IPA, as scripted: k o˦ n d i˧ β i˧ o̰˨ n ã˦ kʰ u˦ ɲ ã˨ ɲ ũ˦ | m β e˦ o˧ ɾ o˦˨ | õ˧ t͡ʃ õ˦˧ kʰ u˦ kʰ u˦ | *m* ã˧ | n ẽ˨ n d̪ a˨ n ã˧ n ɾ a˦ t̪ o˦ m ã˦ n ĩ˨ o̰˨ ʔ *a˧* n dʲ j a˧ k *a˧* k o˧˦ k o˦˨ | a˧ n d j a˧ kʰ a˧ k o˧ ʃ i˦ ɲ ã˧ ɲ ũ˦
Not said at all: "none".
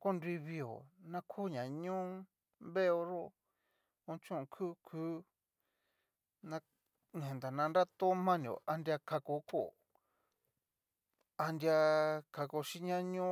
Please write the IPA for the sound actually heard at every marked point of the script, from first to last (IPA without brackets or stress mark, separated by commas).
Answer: n, a˧, a˧